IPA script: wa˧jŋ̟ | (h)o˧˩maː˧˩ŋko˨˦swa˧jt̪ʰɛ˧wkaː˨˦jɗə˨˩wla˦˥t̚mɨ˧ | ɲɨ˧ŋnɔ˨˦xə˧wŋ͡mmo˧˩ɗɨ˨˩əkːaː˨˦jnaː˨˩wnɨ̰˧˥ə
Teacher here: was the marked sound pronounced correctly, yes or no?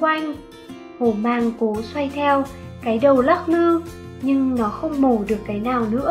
yes